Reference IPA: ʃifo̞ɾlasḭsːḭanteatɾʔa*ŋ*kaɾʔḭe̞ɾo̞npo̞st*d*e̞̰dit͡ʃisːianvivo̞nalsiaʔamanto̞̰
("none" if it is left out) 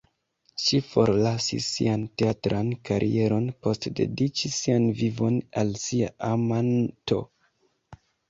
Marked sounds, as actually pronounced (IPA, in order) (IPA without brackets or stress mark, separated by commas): n, d